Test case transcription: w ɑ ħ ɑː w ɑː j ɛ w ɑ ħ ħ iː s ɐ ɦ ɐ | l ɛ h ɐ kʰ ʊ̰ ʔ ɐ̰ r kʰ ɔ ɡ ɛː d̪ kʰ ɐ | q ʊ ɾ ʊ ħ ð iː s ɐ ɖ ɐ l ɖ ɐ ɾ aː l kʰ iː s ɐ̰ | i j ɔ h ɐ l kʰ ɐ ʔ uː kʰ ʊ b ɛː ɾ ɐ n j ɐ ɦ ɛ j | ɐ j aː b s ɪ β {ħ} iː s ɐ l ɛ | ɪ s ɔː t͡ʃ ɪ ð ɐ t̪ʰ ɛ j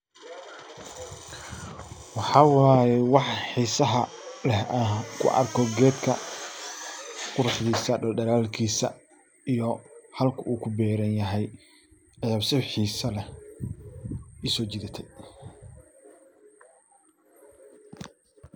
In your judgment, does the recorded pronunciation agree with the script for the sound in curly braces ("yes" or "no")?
yes